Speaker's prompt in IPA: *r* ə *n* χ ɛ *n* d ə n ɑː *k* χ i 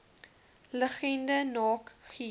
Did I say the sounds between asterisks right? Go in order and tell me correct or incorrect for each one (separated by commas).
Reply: incorrect, incorrect, correct, correct